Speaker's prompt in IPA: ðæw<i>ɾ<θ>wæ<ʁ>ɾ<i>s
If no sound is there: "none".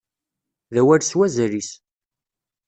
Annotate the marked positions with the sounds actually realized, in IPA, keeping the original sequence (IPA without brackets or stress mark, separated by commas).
æ, s, z, i